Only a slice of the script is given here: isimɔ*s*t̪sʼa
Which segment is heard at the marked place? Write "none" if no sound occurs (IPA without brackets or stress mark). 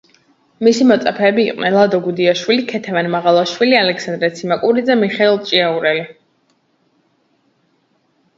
none